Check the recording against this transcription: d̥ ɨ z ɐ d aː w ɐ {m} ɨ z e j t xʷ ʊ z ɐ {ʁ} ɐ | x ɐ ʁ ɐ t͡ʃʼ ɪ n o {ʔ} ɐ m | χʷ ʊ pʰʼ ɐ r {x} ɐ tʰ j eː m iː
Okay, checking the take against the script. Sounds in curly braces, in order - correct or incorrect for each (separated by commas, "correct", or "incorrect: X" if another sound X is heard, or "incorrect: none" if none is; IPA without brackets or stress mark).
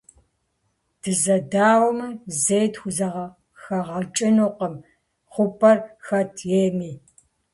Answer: correct, correct, incorrect: q, correct